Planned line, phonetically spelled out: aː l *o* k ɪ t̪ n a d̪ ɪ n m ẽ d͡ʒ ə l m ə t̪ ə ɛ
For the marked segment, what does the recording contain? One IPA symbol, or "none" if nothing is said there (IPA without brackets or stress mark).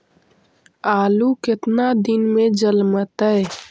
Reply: u